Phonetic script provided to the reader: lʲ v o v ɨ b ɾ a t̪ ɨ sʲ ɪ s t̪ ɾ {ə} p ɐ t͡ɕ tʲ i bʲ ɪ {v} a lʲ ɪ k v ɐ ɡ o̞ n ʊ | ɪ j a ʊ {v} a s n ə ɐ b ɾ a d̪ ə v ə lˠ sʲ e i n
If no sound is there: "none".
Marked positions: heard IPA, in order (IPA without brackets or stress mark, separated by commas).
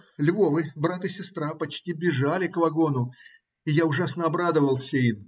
a, ʐ, ʐ